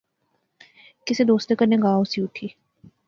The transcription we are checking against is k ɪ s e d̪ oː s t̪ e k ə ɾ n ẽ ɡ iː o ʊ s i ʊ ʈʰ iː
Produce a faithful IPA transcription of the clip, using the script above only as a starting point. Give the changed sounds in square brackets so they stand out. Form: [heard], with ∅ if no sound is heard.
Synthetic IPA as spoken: k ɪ s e d̪ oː s t̪ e k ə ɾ n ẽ ɡ [aː] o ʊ s i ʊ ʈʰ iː